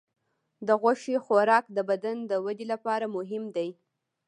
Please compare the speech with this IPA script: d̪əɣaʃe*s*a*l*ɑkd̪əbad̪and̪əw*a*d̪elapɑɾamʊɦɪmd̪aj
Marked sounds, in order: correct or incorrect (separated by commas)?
incorrect, incorrect, correct